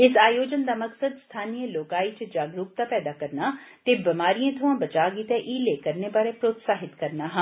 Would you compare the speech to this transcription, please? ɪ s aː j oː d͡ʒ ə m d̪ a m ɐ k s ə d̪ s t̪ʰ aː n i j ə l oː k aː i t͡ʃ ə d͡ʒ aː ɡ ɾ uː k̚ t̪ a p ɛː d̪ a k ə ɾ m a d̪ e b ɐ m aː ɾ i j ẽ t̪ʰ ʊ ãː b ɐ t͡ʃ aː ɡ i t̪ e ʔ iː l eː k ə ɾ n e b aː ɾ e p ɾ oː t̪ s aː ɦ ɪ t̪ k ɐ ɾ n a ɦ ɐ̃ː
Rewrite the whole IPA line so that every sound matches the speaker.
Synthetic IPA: ɪ s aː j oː d͡ʒ ə n d̪ a m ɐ k s ə d̪ s t̪ʰ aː n i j ə l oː k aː i t͡ʃ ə d͡ʒ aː ɡ ɾ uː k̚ t̪ a p ɛː d̪ a k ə ɾ n a t̪ e b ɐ m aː ɾ i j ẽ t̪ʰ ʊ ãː b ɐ t͡ʃ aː ɡ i t̪ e ʔ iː l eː k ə ɾ n e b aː ɾ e p ɾ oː t̪ s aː ɦ ɪ t̪ k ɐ ɾ n a ɦ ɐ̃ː